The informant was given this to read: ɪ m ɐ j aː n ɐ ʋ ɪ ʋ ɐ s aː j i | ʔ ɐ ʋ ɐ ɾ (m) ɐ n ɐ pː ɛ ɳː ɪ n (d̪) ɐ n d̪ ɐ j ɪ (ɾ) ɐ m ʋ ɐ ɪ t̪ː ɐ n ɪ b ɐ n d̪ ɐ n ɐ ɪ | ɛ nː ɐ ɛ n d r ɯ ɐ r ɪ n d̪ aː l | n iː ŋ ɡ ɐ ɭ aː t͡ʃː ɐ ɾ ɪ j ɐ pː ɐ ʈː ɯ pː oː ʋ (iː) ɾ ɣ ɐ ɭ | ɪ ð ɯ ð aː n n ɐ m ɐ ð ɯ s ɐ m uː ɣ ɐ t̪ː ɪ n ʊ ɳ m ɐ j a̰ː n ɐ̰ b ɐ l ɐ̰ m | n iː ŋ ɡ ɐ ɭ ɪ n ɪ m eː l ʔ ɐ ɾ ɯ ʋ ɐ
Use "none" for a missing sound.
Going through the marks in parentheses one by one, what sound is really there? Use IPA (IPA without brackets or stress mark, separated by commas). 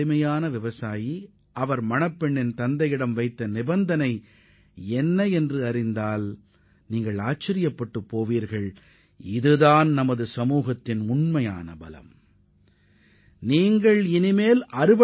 m, t̪, ɽ, iː